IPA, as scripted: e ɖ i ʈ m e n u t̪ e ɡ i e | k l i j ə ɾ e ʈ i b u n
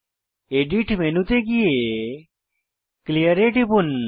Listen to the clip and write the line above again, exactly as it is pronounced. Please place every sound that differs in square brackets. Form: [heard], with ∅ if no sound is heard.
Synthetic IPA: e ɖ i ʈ m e n u t̪ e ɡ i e | k l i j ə ɾ e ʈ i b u n